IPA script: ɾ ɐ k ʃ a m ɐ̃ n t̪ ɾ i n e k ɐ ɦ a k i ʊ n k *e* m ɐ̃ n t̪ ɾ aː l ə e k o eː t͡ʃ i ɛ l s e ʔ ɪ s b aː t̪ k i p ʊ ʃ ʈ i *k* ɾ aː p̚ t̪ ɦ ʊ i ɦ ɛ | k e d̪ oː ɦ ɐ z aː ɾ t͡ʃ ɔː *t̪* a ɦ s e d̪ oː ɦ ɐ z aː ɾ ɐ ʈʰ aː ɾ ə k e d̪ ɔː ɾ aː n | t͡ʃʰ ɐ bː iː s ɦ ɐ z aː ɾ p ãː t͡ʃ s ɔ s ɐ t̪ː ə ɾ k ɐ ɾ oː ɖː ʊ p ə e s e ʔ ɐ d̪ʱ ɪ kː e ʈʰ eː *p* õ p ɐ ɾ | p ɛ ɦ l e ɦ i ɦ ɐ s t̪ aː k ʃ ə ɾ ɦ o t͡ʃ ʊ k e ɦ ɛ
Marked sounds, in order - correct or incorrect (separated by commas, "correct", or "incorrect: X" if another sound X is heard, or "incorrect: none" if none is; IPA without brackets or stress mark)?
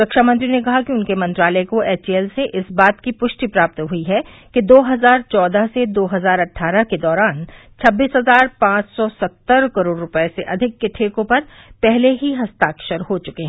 correct, incorrect: p, incorrect: d̪, incorrect: k